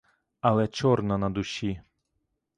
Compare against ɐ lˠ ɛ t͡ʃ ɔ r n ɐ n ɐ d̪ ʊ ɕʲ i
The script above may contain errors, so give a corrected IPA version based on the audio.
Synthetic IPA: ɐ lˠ ɛ t͡ʃ ɔ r n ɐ n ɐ d̪ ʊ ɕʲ i